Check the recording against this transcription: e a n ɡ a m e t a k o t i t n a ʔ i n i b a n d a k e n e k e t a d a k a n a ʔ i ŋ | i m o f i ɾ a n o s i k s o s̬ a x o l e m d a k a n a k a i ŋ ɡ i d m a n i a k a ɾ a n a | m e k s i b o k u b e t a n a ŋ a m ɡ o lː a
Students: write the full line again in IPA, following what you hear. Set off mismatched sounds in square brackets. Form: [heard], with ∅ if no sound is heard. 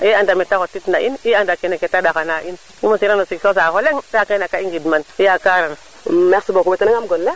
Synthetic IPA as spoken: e a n [d] a m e t a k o t i t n a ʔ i n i [∅] a n d a k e n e k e t a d a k a n a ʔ i [n] | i m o [s] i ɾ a n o s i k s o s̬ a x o l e [ŋ] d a k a n a k a i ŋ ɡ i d m a n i a k a ɾ a n a | m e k s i b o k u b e t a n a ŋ a m ɡ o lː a